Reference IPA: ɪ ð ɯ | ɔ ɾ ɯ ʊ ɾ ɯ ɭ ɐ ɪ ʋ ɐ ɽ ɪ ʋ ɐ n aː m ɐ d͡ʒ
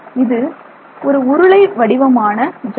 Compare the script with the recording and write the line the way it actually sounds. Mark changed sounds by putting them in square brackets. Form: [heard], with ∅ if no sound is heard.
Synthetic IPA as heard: ɪ ð ɯ | ɔ ɾ ɯ ʊ ɾ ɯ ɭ ɐ ɪ ʋ ɐ ɽ ɪ ʋ ɐ [m] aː [n] ɐ d͡ʒ